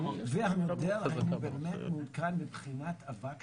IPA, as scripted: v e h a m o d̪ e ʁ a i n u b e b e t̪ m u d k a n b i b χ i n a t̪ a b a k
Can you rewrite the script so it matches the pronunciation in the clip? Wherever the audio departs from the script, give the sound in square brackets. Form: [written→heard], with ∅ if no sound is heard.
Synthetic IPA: v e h a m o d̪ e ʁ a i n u b e [b→m] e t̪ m u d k a n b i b χ i n a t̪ a [b→v] a k